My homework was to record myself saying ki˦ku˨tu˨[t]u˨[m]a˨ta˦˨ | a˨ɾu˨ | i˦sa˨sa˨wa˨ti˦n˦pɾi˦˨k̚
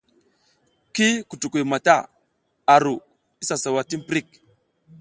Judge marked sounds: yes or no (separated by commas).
no, yes